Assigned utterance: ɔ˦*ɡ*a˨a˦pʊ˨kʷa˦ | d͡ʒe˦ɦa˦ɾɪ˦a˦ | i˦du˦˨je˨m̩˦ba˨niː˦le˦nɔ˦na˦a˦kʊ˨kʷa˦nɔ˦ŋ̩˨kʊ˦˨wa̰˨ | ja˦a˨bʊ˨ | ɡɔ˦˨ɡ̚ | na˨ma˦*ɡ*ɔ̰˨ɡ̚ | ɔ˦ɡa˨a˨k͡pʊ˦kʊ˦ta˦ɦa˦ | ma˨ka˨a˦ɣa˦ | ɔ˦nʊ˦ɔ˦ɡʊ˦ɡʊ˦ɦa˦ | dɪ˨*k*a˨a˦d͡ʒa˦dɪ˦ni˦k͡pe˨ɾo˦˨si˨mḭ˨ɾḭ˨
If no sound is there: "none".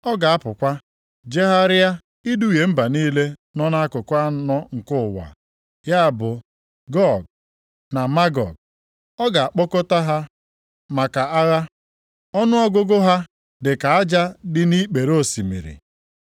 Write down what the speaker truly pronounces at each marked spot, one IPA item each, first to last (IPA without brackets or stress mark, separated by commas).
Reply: ɡ, ɡ, k